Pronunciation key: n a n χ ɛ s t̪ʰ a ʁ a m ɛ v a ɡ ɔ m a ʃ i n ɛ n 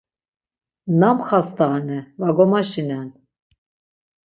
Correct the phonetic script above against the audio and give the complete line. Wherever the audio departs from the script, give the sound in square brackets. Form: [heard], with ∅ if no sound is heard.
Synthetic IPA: n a [m] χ [a] s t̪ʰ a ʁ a [n] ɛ v a ɡ ɔ m a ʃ i n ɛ n